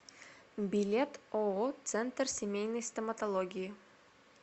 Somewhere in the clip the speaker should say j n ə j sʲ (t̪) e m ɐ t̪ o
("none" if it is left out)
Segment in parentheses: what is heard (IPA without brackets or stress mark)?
t̪